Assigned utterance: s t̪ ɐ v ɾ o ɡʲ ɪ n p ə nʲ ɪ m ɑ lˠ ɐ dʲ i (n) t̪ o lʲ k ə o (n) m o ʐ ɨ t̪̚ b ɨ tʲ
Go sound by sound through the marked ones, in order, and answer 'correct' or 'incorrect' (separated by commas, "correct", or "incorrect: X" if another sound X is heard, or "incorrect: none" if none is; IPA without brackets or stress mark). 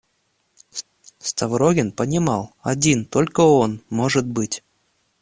correct, correct